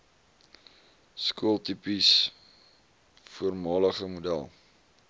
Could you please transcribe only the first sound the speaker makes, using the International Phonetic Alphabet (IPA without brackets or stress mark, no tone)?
s